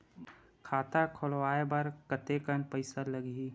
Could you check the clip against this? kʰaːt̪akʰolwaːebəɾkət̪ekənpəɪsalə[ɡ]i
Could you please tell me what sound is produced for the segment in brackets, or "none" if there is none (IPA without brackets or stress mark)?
ɡ